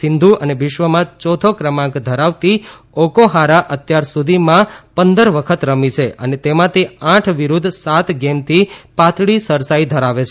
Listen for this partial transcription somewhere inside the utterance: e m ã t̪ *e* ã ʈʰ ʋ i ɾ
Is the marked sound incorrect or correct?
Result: correct